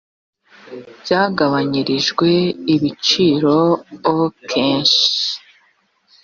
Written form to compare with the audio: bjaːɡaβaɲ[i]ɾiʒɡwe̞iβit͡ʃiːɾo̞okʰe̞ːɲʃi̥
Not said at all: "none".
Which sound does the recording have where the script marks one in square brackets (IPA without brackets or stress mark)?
i